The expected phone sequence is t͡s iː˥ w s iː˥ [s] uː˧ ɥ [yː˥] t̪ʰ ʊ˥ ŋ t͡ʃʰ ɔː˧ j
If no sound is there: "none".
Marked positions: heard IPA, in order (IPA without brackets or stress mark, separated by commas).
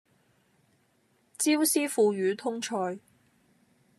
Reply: f, yː˨˧